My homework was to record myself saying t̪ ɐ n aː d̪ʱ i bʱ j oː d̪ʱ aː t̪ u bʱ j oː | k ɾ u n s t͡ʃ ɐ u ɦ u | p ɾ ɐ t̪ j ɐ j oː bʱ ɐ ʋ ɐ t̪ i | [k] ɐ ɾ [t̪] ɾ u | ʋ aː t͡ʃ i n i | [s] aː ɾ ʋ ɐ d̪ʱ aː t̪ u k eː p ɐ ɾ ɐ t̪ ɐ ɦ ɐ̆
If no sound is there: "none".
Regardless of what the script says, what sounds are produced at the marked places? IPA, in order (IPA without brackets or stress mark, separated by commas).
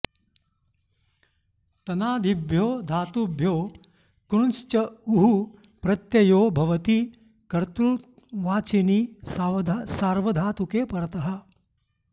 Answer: k, t̪, s